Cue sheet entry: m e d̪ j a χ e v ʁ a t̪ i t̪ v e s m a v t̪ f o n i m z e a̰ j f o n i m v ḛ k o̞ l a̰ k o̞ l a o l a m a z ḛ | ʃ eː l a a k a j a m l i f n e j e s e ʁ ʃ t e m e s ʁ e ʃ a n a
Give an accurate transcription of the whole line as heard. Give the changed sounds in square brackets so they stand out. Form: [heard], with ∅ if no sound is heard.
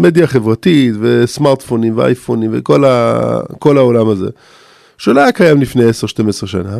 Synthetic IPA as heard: m e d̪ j a χ e v ʁ a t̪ i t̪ v e s m a [ʁ] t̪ f o n i m [v] e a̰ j f o n i m v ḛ k o̞ l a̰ k o̞ l a o l a m a z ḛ | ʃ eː l a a k a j a m l i f n e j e s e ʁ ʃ t e m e s ʁ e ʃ a n a